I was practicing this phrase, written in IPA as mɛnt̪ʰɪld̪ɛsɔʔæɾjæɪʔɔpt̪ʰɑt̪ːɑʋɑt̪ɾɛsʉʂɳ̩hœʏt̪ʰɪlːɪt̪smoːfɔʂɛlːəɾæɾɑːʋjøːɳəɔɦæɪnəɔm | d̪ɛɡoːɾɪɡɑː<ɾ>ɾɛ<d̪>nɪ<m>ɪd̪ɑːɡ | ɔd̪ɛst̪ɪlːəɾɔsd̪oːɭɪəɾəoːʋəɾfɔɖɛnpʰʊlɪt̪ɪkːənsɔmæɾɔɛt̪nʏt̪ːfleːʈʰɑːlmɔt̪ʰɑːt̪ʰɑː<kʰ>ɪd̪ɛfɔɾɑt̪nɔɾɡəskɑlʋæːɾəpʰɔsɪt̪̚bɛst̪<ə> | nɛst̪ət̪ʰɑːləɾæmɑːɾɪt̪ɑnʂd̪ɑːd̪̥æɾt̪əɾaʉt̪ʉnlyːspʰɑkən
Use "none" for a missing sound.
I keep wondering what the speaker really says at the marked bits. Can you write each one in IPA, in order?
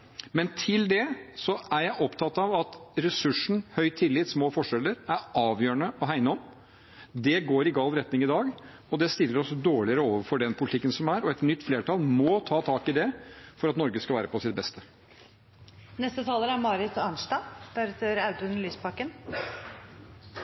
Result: l, t̪, ŋ, k, ə

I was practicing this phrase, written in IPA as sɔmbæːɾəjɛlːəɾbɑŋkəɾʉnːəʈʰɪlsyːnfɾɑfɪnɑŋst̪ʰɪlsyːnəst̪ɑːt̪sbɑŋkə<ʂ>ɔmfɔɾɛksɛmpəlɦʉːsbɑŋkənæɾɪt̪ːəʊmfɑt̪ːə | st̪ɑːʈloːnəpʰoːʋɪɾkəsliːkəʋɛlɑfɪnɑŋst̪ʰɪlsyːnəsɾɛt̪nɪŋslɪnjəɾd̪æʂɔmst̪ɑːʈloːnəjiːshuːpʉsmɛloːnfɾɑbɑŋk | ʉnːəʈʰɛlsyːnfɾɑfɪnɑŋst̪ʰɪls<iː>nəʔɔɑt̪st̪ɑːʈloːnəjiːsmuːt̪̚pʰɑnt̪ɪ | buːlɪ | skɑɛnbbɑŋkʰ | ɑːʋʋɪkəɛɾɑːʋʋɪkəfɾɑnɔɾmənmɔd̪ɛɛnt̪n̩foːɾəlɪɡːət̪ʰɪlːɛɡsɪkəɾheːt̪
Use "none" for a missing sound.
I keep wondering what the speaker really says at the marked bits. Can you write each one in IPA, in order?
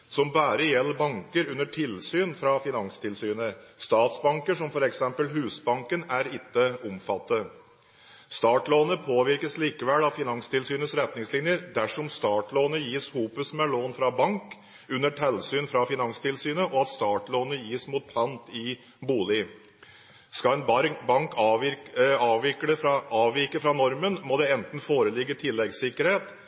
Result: ʂ, yː

